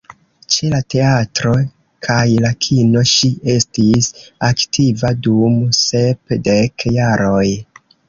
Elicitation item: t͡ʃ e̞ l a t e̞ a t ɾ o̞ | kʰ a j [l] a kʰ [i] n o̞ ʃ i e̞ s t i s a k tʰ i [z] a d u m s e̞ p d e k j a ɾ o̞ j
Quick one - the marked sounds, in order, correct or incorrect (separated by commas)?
correct, correct, incorrect